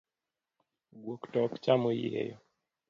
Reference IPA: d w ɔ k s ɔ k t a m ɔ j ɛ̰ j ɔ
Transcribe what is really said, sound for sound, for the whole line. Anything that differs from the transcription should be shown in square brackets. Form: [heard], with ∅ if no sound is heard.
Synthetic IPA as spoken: [ɡ] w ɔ k [t] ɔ k [t͡ʃ] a m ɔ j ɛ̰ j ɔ

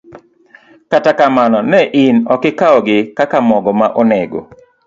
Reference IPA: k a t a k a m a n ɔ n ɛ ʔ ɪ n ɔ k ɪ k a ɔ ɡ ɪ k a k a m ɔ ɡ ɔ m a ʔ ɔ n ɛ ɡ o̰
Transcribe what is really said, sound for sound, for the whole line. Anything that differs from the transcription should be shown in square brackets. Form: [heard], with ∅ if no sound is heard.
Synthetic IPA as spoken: k a t a k a m a n ɔ n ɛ ʔ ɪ n ɔ k ɪ k a ɔ ɡ ɪ k a k a m ɔ ɡ ɔ m a ʔ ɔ n ɛ ɡ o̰

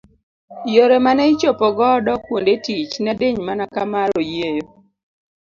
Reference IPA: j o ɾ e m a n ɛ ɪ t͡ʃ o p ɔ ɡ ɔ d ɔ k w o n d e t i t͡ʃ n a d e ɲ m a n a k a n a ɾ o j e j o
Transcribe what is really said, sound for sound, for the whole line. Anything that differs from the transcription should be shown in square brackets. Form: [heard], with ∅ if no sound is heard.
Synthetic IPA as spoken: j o ɾ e m a n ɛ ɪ t͡ʃ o p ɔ ɡ ɔ d ɔ k w o n d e t i t͡ʃ n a d e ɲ m a n a k a [m] a ɾ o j e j o

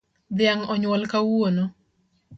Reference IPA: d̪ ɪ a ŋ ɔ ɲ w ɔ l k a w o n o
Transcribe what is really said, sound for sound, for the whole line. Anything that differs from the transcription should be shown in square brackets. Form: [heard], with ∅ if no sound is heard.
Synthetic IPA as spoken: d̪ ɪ a ŋ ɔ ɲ w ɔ l k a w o n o

